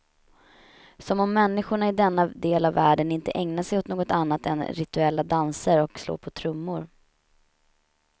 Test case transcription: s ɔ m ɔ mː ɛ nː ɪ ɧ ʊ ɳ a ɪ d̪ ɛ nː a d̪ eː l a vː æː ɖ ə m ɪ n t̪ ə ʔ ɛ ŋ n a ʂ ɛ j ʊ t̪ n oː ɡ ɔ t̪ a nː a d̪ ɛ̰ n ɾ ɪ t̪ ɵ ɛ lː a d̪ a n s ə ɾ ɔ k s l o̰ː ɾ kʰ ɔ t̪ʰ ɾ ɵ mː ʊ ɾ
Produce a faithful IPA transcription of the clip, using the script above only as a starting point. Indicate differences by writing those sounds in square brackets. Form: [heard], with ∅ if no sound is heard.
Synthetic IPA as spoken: s ɔ m ɔ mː ɛ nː ɪ ɧ ʊ ɳ a ɪ d̪ ɛ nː a d̪ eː l a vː æː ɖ ə [n] ɪ n t̪ ə ʔ ɛ ŋ n a ʂ ɛ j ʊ t̪ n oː ɡ ɔ t̪ a nː a [t̪] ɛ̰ n ɾ ɪ t̪ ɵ ɛ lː a d̪ a n s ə ɾ ɔ k s l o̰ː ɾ [pʰ] ɔ t̪ʰ ɾ ɵ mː ʊ ɾ

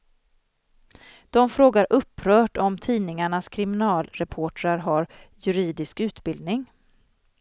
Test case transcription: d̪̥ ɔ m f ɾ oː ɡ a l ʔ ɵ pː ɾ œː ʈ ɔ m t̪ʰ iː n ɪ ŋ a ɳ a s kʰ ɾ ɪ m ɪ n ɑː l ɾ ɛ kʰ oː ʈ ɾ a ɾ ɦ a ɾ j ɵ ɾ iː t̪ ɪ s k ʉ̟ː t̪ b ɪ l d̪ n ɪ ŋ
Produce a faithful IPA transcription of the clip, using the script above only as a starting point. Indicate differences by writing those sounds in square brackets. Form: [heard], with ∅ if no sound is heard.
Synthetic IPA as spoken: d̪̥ ɔ m f ɾ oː ɡ a [ɾ] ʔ ɵ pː ɾ œː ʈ ɔ m t̪ʰ iː n ɪ ŋ a ɳ a s kʰ ɾ ɪ m ɪ n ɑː l ɾ ɛ [pʰ] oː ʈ ɾ a ɾ ɦ a ɾ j ɵ ɾ iː [d̪] ɪ s k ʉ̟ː t̪ b ɪ l d̪ n ɪ ŋ

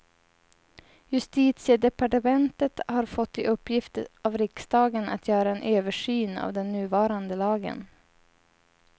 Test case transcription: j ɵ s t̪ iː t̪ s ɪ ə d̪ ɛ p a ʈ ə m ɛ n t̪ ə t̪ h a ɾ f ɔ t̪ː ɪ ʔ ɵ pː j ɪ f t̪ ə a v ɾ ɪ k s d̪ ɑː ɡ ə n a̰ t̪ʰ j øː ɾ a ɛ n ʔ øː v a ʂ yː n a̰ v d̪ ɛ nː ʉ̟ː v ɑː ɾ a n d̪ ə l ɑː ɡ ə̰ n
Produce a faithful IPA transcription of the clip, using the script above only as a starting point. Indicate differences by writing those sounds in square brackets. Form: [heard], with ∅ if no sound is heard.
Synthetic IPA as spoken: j ɵ s t̪ iː t̪ s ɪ ə d̪ ɛ p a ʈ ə m ɛ n t̪ ə t̪ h a ɾ f ɔ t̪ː ɪ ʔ ɵ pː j ɪ f t̪ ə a v ɾ ɪ k s d̪ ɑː ɡ ə n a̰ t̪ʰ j [œː] ɾ a ɛ n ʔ øː v [ə] ʂ yː n a̰ v d̪ ɛ nː ʉ̟ː v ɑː ɾ a n d̪ ə l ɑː ɡ ə̰ n

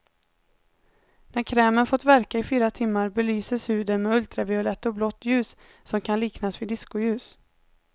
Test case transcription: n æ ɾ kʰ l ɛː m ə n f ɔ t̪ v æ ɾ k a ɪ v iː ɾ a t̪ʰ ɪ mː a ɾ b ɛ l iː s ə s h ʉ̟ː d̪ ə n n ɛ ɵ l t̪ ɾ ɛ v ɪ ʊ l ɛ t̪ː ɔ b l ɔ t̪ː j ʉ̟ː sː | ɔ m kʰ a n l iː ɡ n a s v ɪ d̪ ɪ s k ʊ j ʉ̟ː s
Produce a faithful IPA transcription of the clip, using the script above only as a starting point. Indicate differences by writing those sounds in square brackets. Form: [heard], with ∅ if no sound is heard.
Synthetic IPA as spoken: n æ ɾ kʰ [ɾ] ɛː m ə n f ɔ t̪ v æ ɾ k a ɪ [f] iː ɾ a t̪ʰ ɪ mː a ɾ b ɛ l [yː] s ə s h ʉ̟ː d̪ ə n [m] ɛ ɵ l t̪ ɾ [a] v ɪ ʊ l ɛ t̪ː ɔ b l ɔ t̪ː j ʉ̟ː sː | ɔ m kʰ a n l iː [k] n a s v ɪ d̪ ɪ s k ʊ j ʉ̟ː s

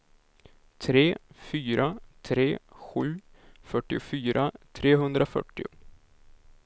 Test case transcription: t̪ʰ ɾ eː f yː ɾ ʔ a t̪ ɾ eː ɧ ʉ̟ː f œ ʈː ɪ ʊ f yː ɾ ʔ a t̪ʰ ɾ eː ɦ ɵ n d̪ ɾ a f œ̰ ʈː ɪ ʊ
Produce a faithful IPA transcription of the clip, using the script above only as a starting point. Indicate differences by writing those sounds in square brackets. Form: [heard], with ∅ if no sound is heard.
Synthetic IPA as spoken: t̪ʰ ɾ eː f yː ɾ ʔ a [t̪ʰ] ɾ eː ɧ ʉ̟ː f œ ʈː ɪ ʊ f yː ɾ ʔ a t̪ʰ ɾ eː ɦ ɵ n d̪ ɾ a f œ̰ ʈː ɪ ʊ

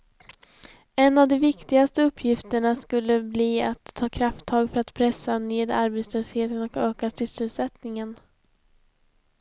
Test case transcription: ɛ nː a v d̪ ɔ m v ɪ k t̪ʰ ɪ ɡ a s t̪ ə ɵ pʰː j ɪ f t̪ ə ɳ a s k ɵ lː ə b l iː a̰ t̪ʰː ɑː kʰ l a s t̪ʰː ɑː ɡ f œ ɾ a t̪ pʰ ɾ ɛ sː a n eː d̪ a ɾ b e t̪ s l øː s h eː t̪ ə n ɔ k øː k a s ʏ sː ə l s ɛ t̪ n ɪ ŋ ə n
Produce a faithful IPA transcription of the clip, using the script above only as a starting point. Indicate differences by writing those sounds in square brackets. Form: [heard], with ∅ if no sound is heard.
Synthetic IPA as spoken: ɛ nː a v d̪ ɔ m v ɪ k [t̪] ɪ ɡ a s t̪ ə ɵ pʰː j ɪ f t̪ ə ɳ a s k ɵ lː ə b l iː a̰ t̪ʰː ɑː kʰ [ɾ] a [f] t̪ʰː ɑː ɡ f œ ɾ a t̪ pʰ ɾ ɛ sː a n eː d̪ a ɾ b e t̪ s l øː s h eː t̪ ə n ɔ k øː k a s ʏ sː ə l s ɛ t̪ n ɪ ŋ ə n

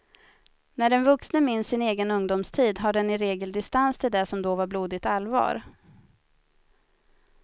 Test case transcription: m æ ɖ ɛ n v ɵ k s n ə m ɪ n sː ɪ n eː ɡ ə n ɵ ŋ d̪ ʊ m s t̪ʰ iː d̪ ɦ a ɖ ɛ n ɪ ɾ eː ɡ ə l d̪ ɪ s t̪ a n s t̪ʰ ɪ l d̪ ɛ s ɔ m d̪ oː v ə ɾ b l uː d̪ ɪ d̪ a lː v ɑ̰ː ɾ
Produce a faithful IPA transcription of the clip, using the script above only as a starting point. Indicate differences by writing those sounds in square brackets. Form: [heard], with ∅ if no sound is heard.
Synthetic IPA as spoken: [n] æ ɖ ɛ n v ɵ k s n ə m ɪ n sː ɪ n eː ɡ ə n ɵ ŋ d̪ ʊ m s t̪ʰ iː d̪ ɦ a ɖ ɛ n ɪ ɾ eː ɡ ə l d̪ ɪ s t̪ a n s t̪ʰ ɪ l d̪ ɛ s ɔ m d̪ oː v [a] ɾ b l uː d̪ ɪ [t̪] a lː v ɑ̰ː ɾ

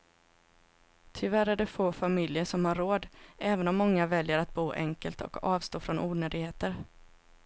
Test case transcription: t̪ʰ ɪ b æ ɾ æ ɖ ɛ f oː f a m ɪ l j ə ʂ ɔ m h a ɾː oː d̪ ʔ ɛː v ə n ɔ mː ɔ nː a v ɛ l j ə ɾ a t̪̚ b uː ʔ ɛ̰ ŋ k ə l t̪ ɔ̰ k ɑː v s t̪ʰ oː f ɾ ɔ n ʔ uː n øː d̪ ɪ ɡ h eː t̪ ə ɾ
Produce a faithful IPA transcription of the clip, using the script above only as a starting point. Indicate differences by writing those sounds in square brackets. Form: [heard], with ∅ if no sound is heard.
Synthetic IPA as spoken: t̪ʰ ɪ [v] æ ɾ æ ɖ ɛ f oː f a m ɪ l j ə ʂ ɔ m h a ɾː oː d̪ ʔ ɛː v ə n ɔ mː ɔ [ŋː] a v ɛ l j ə ɾ a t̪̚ b uː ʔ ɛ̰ ŋ k ə l t̪ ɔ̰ k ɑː v s [t̪] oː f ɾ ɔ n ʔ uː n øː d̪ ɪ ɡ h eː t̪ ə ɾ

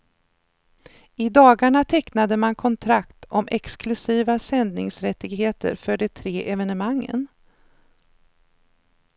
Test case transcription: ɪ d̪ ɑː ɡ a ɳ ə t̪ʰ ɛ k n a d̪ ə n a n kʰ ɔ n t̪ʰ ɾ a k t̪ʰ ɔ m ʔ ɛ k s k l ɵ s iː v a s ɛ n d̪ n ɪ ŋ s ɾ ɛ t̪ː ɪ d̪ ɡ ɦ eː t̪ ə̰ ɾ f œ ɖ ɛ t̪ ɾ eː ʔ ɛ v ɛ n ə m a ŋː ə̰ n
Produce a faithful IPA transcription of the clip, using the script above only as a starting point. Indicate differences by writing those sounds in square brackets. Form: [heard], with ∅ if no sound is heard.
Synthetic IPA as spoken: ɪ d̪ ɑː ɡ a ɳ [a] t̪ʰ ɛ k n a d̪ ə [m] a n kʰ ɔ n t̪ʰ ɾ a k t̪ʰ ɔ m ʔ ɛ k s k l ɵ s iː v a s ɛ n d̪ n ɪ ŋ s ɾ ɛ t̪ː ɪ [∅] ɡ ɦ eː t̪ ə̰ ɾ f œ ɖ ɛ [t̪ʰ] ɾ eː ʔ ɛ v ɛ n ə m a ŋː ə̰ n

